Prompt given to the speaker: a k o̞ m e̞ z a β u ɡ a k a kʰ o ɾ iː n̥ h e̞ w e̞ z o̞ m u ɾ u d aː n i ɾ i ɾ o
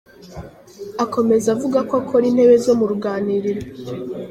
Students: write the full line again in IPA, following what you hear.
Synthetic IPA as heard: a k o̞ m e̞ z a v u ɡ a k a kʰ o ɾ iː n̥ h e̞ β e̞ z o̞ m u ɾ u ɡ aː n i ɾ i ɾ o